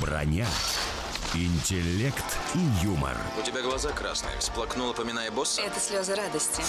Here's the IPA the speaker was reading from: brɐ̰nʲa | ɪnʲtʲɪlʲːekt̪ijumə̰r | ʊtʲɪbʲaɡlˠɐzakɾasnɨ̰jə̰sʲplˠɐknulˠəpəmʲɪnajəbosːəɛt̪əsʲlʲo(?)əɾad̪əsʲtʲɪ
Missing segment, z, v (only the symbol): z